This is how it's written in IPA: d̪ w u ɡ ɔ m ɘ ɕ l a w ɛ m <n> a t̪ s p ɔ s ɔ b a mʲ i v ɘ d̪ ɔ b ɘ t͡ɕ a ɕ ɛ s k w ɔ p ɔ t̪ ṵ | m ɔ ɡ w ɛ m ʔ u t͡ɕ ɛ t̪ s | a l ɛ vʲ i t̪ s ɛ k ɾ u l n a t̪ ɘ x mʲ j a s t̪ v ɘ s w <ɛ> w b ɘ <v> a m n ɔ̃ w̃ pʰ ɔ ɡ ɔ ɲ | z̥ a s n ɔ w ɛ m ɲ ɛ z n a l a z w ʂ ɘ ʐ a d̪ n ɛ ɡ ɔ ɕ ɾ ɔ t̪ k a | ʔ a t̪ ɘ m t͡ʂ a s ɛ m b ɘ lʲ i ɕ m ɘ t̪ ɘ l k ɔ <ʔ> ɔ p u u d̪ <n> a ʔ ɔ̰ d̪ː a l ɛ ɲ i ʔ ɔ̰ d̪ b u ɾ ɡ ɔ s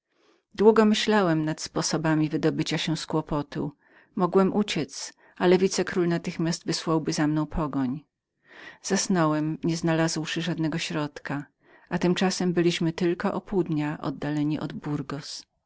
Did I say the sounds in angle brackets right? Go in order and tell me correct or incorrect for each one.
correct, incorrect: a, incorrect: z, correct, incorrect: ɲ

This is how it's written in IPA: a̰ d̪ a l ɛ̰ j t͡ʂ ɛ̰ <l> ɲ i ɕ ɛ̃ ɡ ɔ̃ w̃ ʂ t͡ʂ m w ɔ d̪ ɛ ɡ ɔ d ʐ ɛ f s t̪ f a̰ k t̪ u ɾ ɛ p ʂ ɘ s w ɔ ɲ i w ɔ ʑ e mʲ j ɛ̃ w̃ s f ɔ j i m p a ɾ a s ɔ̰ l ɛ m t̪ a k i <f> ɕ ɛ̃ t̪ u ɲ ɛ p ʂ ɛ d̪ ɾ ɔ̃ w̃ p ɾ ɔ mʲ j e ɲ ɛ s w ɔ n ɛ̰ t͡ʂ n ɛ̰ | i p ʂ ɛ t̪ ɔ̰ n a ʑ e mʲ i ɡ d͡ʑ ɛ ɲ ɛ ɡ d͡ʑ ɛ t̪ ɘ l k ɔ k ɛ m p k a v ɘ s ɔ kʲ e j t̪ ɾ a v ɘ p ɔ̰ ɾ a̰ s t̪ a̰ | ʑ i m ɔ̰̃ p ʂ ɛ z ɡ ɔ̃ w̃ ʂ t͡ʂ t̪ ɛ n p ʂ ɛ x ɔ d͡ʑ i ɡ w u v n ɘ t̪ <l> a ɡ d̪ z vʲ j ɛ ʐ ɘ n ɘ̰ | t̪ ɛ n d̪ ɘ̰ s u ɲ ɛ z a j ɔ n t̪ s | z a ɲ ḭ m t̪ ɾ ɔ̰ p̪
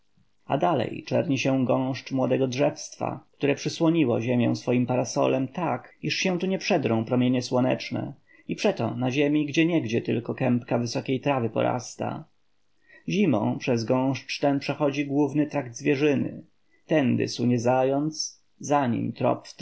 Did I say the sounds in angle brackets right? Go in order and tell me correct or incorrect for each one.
incorrect: ɾ, incorrect: ʂ, incorrect: ɾ

